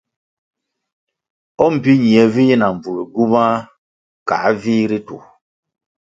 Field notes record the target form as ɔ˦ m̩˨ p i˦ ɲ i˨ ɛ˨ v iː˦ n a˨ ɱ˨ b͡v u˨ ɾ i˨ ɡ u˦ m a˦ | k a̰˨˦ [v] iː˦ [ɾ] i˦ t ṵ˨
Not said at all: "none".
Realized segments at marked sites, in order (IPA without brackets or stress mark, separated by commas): v, ɾ